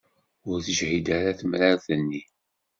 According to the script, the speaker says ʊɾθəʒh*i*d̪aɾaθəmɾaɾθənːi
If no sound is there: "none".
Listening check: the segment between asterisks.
i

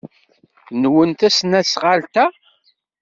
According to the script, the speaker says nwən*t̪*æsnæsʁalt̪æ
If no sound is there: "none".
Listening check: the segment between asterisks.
t̪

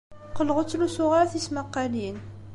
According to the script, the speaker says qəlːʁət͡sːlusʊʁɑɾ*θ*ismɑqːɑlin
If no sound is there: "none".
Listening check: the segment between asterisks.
θ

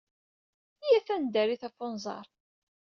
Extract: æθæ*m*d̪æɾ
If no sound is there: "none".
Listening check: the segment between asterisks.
n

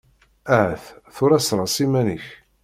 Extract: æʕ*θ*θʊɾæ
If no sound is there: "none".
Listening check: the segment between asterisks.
θ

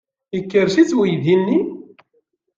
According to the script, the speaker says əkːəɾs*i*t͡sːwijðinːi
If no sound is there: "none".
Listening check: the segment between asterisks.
i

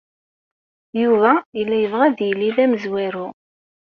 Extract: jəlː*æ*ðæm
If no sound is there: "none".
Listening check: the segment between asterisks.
i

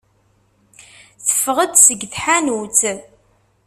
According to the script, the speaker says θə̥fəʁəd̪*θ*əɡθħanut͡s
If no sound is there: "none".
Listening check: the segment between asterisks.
s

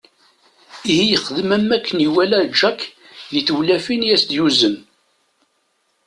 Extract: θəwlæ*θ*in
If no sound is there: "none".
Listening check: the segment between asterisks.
f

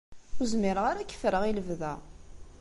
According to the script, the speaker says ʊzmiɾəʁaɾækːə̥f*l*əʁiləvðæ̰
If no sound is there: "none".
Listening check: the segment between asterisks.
ɾ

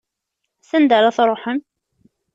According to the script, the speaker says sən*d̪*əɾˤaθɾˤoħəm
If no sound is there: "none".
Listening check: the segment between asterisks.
d̪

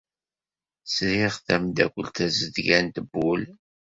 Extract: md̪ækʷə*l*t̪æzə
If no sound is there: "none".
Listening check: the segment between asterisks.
l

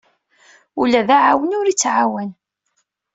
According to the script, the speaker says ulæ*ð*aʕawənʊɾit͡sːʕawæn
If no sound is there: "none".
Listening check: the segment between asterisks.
ð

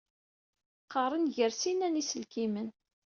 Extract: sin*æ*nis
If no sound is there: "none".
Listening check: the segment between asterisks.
æ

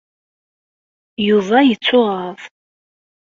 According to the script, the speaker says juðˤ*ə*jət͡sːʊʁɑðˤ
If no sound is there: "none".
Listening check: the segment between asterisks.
ɑ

